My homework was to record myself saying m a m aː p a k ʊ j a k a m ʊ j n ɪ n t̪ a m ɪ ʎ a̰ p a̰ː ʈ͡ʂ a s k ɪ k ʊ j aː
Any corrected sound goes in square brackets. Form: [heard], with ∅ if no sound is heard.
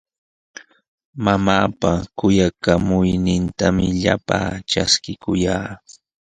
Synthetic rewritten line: m a m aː p a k ʊ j a k a m ʊ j n ɪ n t̪ a m ɪ ʎ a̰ p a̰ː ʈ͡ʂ a s k ɪ k ʊ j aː